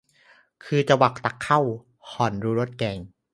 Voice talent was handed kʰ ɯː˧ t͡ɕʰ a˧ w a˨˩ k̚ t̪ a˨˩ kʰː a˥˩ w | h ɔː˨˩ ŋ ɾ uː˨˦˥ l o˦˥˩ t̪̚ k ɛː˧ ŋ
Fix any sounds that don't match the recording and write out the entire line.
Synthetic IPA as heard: kʰ ɯː˧ t͡ɕ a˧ w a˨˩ k̚ t̪ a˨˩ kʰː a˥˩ w | h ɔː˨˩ n ɾ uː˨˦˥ ɾ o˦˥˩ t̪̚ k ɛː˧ ŋ